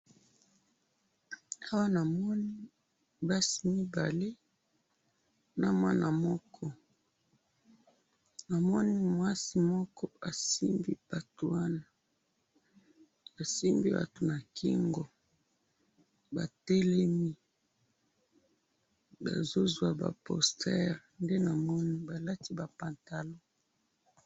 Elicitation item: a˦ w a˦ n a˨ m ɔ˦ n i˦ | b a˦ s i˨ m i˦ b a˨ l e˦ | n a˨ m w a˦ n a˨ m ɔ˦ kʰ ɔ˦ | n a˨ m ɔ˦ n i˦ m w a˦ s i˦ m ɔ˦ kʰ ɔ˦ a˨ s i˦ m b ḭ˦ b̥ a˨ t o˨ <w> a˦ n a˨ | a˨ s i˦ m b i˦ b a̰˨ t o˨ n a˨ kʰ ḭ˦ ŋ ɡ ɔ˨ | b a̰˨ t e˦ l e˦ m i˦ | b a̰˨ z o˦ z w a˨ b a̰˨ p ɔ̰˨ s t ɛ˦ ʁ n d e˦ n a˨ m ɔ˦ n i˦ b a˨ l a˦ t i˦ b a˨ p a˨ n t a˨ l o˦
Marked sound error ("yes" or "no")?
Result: no